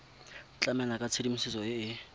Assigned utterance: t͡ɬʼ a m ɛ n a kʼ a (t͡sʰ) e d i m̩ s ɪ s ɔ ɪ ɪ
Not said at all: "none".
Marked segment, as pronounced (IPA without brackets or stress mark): t͡sʰ